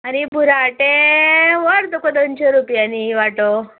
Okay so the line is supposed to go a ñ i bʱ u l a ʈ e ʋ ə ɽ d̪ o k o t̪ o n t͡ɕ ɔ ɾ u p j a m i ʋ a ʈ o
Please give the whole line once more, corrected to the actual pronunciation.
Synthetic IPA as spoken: a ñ i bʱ u ɾ a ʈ e ʋ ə ɾ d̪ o k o d̪ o n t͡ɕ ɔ ɾ u p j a n i ʋ a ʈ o